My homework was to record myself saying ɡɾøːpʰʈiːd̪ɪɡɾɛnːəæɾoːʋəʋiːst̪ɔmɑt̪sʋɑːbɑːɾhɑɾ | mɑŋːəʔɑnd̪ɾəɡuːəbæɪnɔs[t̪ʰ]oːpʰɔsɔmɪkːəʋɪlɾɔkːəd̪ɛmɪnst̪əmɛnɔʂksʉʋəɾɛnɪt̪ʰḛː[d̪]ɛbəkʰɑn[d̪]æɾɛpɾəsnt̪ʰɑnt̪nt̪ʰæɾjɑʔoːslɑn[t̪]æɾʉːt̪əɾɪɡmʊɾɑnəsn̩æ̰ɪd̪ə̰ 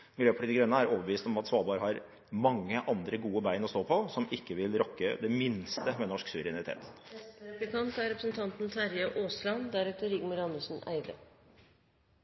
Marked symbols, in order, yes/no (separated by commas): no, no, no, no